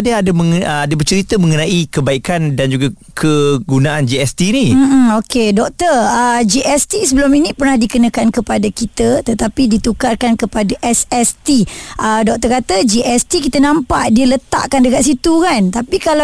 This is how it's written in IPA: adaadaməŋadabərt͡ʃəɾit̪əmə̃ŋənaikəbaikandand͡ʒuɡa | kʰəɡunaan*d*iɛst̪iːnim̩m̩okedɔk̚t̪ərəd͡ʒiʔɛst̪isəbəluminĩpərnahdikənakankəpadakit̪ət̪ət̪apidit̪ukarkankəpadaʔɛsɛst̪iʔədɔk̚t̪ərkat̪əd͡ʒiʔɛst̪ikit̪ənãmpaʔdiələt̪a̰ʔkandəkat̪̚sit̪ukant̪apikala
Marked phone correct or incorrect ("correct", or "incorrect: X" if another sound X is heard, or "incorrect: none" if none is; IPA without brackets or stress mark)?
incorrect: d͡ʒ